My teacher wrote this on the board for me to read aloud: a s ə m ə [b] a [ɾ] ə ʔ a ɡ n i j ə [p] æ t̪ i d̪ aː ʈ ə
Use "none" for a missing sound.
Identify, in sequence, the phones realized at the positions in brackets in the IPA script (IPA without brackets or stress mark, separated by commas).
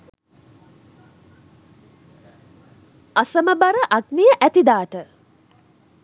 b, ɾ, ʔ